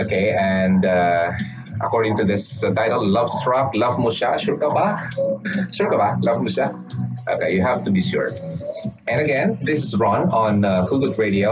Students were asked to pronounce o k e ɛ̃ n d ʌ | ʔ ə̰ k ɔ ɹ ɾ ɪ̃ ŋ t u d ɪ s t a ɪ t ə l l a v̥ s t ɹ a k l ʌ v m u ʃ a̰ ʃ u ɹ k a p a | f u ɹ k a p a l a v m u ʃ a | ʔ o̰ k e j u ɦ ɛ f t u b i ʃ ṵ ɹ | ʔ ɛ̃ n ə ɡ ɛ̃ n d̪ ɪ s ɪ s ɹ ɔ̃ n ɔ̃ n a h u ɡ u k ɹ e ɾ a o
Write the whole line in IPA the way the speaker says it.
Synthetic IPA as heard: o k e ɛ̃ n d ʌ | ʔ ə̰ k ɔ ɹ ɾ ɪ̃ ŋ t u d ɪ s t a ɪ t ə l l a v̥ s t ɹ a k l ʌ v m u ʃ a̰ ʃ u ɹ k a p a | ʃ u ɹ k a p a l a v m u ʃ a | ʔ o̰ k e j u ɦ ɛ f t u b i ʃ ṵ ɹ | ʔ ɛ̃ n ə ɡ ɛ̃ n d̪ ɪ s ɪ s ɹ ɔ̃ n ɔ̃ n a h u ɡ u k ɹ e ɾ i o